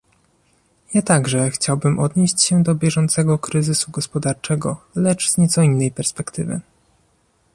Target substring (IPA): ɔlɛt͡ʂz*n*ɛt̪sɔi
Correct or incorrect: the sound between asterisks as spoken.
incorrect: ɲ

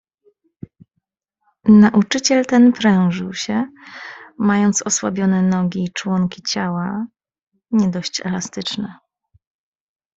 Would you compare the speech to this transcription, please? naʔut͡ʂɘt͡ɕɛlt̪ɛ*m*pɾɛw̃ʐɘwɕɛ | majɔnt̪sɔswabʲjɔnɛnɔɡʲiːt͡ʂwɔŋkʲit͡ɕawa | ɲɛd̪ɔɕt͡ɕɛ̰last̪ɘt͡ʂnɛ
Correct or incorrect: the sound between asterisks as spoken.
incorrect: n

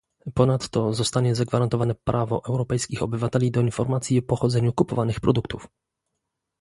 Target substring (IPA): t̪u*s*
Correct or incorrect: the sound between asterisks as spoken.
incorrect: f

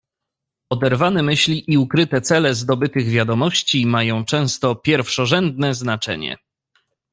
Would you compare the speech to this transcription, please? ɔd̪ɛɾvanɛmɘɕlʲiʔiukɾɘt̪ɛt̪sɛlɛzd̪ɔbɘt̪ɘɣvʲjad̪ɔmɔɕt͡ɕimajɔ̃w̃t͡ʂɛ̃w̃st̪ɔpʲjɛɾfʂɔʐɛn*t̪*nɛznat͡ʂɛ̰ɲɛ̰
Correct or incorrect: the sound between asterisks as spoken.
incorrect: d̪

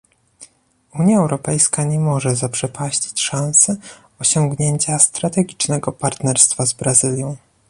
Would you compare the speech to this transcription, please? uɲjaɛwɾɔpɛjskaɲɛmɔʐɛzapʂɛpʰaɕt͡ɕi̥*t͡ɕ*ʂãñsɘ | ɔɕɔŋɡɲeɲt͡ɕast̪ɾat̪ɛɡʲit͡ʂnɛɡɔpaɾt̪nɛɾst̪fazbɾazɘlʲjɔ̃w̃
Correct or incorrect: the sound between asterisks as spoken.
correct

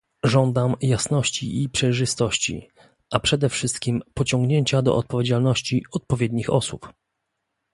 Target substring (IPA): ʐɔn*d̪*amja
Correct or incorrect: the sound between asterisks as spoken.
correct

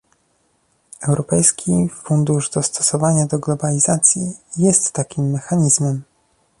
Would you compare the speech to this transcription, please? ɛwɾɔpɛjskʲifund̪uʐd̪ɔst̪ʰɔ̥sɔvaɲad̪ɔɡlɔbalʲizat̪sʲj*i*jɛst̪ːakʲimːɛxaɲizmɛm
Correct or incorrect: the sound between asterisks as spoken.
correct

